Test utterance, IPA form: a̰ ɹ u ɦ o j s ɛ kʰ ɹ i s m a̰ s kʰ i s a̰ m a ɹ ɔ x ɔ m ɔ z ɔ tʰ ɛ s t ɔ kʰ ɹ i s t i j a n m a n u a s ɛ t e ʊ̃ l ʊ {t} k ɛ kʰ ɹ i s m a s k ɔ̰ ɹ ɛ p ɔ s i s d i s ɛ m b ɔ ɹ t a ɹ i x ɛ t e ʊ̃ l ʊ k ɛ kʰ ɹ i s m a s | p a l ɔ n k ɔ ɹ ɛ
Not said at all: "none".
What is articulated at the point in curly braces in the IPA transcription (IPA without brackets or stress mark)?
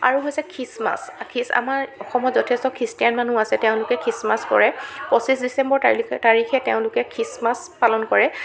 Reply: none